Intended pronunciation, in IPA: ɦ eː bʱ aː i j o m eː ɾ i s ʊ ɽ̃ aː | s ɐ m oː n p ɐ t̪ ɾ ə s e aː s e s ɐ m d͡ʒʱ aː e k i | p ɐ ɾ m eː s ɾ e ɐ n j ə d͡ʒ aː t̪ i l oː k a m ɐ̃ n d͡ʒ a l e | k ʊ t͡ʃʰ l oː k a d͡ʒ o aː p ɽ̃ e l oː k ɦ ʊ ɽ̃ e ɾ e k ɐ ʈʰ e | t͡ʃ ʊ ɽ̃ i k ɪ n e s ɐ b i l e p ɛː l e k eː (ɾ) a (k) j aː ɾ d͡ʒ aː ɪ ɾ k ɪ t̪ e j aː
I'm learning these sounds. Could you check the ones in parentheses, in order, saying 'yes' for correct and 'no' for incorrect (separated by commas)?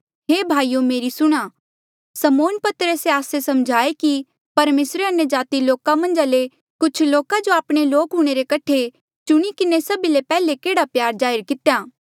no, no